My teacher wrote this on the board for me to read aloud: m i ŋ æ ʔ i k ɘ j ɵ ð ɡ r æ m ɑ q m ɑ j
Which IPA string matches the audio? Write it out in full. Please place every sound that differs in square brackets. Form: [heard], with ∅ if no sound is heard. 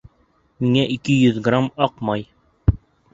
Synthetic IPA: m i ŋ æ ʔ i k ɘ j ɵ ð ɡ r [a] m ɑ q m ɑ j